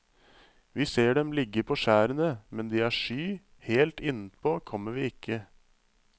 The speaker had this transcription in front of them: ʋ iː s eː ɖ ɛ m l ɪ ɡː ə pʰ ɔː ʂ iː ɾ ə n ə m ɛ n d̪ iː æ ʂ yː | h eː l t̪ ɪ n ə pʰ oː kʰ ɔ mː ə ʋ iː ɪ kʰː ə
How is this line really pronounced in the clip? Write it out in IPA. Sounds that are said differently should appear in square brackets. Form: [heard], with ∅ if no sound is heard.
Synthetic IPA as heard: ʋ iː s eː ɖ ɛ m l ɪ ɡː ə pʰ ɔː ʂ [æː] ɾ ə n ə m ɛ n d̪ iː æ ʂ yː | h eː l t̪ ɪ n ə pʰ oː kʰ ɔ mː ə ʋ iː ɪ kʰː ə

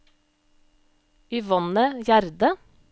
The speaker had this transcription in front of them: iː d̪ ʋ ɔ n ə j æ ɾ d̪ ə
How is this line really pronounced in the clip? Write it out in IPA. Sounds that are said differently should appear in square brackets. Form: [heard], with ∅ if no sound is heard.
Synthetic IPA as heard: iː [∅] ʋ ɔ n ə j æ ɾ d̪ ə

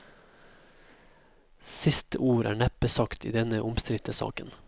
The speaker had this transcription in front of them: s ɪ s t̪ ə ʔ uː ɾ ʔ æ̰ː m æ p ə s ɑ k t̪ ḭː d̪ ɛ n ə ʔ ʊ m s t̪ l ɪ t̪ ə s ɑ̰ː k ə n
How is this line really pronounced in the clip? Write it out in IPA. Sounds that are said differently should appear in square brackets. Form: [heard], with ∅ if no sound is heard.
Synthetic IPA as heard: s ɪ s t̪ ə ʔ uː ɾ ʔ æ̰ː [ɳ] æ p ə s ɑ k t̪ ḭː d̪ ɛ n ə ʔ ʊ m s t̪ [ɾ] ɪ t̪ ə s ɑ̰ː k ə n

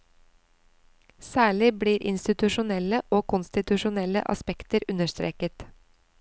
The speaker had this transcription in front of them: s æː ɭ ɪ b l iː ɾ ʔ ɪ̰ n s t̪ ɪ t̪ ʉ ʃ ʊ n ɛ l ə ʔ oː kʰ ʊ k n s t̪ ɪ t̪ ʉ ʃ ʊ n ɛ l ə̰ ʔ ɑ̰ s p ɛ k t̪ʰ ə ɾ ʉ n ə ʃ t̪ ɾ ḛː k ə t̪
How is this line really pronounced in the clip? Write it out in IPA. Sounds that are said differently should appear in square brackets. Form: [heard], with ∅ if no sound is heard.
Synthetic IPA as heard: s æː ɭ ɪ b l iː ɾ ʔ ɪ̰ n s t̪ ɪ t̪ ʉ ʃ ʊ n ɛ l ə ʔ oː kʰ ʊ [∅] n s t̪ ɪ t̪ ʉ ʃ ʊ n ɛ l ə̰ ʔ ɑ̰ s p ɛ k [t̪] ə ɾ ʉ n ə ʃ t̪ ɾ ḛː k ə t̪

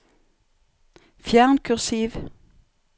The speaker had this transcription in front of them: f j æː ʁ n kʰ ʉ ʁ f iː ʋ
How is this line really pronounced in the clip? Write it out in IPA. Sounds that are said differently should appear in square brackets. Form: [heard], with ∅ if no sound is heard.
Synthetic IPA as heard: f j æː ʁ n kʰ ʉ ʁ [s] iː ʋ

